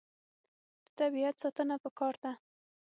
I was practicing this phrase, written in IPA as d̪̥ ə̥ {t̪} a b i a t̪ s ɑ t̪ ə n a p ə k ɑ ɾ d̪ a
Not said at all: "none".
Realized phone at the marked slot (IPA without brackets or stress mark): t̪